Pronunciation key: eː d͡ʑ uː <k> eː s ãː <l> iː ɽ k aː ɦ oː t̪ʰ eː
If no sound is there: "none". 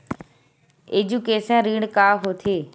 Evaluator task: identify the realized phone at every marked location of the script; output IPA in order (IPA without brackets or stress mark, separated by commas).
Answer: k, ɾ